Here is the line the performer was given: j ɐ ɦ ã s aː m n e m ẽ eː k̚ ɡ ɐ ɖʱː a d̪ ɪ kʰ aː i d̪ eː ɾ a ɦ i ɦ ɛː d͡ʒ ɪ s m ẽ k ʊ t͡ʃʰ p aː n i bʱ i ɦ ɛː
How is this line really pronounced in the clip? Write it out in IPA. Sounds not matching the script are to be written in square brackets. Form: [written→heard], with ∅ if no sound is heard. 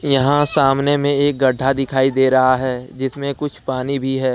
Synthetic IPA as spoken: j ɐ ɦ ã s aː m n e m ẽ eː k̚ ɡ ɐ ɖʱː a d̪ ɪ kʰ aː i d̪ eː ɾ [a→ɐ] ɦ [i→a] ɦ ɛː d͡ʒ ɪ s m ẽ k ʊ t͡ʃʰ p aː n i bʱ i ɦ ɛː

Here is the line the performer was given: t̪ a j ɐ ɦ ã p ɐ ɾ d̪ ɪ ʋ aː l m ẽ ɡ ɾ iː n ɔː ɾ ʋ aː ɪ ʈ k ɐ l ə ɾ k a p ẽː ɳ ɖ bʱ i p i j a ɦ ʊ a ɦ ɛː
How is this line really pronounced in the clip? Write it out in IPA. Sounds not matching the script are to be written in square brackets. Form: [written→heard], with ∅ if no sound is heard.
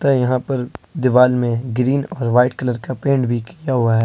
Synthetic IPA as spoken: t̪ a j ɐ ɦ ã p ɐ ɾ d̪ ɪ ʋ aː l m ẽ ɡ ɾ iː n ɔː ɾ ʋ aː ɪ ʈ k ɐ l ə ɾ k a p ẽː ɳ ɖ bʱ i [p→k] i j a ɦ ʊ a ɦ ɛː

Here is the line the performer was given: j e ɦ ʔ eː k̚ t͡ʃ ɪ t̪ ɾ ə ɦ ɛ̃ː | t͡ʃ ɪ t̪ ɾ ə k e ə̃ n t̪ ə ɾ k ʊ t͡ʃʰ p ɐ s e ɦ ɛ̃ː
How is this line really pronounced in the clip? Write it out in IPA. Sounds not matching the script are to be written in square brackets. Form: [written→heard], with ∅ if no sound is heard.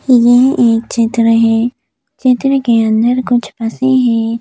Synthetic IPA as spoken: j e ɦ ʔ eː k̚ t͡ʃ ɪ t̪ ɾ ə ɦ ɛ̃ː | t͡ʃ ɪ t̪ ɾ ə k e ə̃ n [t̪→d̪] ə ɾ k ʊ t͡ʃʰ p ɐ s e ɦ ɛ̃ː

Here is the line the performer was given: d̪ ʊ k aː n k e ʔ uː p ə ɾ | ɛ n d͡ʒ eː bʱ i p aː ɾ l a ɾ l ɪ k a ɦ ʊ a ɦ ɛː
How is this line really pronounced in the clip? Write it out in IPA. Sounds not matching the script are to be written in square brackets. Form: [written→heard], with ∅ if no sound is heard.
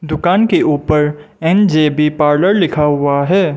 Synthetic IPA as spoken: d̪ ʊ k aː n k e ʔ uː p ə ɾ | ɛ n d͡ʒ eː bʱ i p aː ɾ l [a→ə] ɾ l ɪ [k→kʰ] a ɦ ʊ a ɦ ɛː

